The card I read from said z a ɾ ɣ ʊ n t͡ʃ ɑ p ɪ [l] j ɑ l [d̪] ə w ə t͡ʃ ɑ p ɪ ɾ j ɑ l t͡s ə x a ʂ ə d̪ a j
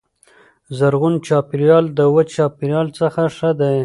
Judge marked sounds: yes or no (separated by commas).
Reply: no, yes